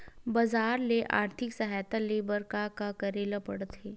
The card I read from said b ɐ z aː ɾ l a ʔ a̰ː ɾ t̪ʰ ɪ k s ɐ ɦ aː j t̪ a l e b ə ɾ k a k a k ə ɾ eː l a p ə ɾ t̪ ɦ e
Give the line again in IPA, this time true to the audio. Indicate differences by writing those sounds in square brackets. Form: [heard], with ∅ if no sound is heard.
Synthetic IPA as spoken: b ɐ z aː ɾ l [e] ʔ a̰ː ɾ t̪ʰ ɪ k s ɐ ɦ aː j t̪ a l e b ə ɾ k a k a k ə ɾ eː l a p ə [ɽ] t̪ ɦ e

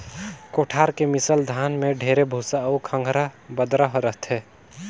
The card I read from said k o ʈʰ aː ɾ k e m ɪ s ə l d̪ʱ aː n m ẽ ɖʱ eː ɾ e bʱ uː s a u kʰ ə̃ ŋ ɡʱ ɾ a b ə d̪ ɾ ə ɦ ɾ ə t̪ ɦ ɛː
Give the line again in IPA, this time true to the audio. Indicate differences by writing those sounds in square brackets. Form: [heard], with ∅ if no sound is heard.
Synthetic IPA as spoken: k o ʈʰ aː ɾ k e m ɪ s ə l d̪ʱ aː n m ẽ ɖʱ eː ɾ e bʱ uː s a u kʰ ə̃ ŋ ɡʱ ɾ a b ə d̪ ɾ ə ɦ ɾ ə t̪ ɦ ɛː

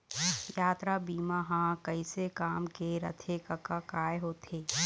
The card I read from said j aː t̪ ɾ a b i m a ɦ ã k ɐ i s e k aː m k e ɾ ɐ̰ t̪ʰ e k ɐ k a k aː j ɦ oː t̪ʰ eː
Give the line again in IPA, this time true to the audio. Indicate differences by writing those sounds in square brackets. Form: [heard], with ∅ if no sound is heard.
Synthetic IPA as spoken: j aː t̪ ɾ a b [iː] m a ɦ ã k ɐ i s e k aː m k e ɾ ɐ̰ t̪ʰ e k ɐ k a k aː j ɦ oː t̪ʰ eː

